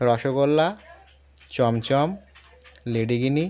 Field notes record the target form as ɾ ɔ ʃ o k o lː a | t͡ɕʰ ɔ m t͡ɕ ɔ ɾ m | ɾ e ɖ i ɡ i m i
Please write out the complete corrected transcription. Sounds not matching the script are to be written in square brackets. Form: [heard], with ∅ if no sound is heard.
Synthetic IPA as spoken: ɾ ɔ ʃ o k o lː a | [t͡ɕ] ɔ m t͡ɕ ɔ [∅] m | [l] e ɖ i ɡ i [n] i

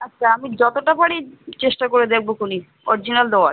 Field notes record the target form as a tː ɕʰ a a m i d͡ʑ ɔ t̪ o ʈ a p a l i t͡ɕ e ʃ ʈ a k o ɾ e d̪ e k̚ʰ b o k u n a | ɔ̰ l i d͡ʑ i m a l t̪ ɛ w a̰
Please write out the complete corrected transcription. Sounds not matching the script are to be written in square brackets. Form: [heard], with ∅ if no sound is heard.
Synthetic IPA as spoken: a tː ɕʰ a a m i d͡ʑ ɔ t̪ o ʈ a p a [ɽ] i t͡ɕ e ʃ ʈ a k o ɾ e d̪ e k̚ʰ b o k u n [i] | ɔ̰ [ɾ] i d͡ʑ i [n] a l [d̪] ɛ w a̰

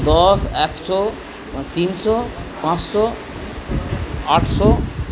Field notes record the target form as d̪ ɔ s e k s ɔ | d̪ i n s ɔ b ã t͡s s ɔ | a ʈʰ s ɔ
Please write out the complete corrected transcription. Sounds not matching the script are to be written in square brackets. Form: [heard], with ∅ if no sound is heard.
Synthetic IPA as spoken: d̪ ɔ s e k s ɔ | [t̪] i n s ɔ [p] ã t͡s s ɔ | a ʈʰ s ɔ

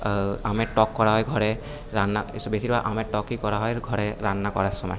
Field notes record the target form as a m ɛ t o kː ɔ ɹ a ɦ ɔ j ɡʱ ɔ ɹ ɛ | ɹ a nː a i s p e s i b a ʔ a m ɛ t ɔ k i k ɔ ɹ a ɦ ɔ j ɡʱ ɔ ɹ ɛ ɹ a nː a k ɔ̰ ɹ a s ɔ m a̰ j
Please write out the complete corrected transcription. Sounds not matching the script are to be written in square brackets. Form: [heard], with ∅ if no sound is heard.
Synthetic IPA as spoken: a m ɛ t [ɔ] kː ɔ ɹ a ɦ ɔ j ɡʱ ɔ ɹ ɛ | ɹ a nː a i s [b] e s i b a ʔ a m ɛ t ɔ k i k ɔ ɹ a ɦ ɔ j ɡʱ ɔ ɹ ɛ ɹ a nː a k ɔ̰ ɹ a s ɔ m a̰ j

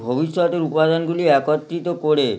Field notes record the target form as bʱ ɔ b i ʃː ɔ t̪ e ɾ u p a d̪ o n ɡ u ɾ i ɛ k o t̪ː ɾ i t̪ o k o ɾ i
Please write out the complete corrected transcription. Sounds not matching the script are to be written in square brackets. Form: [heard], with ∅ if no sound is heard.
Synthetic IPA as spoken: bʱ [o] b i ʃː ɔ t̪ e ɾ u p a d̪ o n ɡ u [l] i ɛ k o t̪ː ɾ i t̪ o k o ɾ [e]

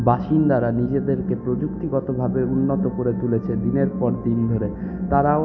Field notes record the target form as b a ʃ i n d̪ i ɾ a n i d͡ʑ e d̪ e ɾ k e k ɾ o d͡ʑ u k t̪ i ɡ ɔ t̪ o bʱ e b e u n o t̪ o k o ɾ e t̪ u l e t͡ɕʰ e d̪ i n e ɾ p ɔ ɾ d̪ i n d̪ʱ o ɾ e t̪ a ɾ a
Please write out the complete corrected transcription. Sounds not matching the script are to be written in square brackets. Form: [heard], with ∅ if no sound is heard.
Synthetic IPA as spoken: b a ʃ i n d̪ [a] ɾ a n i d͡ʑ e d̪ e ɾ k e [p] ɾ o d͡ʑ u k t̪ i ɡ ɔ t̪ o bʱ [a] b e u [nː] o t̪ o k o ɾ e t̪ u l e t͡ɕʰ e d̪ i n e ɾ p ɔ ɾ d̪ i n d̪ʱ o ɾ e t̪ a ɾ a

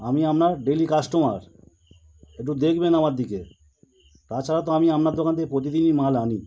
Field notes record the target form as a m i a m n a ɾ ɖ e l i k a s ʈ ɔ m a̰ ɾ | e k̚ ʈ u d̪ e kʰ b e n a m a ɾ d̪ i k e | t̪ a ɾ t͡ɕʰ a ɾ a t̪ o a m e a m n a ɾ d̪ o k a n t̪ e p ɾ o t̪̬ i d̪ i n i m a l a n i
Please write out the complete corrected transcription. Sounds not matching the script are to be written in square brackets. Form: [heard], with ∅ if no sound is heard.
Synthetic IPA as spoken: a m i a m n a ɾ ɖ e l i k a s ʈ [o] m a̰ ɾ | e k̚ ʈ u d̪ e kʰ b e n a m a ɾ d̪ i k e | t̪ a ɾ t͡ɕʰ a ɾ a t̪ o a m [i] a m n a ɾ d̪ o k a n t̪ e p ɾ o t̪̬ i d̪ i n i m a l a n i

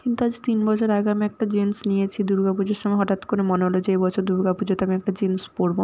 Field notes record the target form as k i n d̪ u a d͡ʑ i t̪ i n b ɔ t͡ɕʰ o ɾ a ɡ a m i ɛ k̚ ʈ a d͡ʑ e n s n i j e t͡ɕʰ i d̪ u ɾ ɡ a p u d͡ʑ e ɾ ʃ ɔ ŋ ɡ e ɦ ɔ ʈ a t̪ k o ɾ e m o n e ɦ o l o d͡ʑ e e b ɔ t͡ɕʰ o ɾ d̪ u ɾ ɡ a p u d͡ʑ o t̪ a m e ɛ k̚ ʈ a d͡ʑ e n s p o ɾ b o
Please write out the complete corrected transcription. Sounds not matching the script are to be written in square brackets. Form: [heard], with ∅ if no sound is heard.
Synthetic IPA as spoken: k i n [t̪] u a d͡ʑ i t̪ i n b ɔ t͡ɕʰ o ɾ a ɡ a m i ɛ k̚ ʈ a d͡ʑ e n s n i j e t͡ɕʰ i d̪ u ɾ ɡ a p u d͡ʑ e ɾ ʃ ɔ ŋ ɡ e ɦ ɔ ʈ a t̪ k o ɾ e m o n e ɦ o l o d͡ʑ e e b ɔ t͡ɕʰ o ɾ d̪ u ɾ ɡ a p u d͡ʑ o t̪ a m [i] ɛ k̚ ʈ a d͡ʑ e n s p o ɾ b o

